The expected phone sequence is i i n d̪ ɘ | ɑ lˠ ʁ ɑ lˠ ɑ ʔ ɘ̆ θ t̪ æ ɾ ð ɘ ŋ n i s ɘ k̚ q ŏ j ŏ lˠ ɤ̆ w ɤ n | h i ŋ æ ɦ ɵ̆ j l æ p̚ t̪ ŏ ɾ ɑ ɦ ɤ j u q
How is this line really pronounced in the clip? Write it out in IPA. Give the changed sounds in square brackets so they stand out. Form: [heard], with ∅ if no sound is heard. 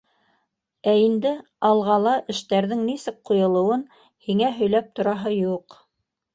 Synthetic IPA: [æ] i n d̪ ɘ | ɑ lˠ ʁ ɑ lˠ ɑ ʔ ɘ̆ [ʃ] t̪ æ ɾ ð ɘ ŋ n i s ɘ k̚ q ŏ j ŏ lˠ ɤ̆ w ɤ n | h i ŋ æ ɦ ɵ̆ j l æ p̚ t̪ ŏ ɾ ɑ ɦ ɤ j u q